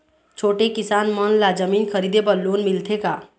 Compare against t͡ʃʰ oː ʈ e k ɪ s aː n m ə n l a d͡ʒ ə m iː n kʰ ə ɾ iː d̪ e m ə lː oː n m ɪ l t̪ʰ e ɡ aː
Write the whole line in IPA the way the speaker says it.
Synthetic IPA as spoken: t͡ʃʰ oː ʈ e k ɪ s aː n m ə n l a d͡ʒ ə m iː n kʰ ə ɾ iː d̪ e b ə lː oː n m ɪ l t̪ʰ e k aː